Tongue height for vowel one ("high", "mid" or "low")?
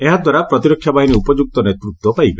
mid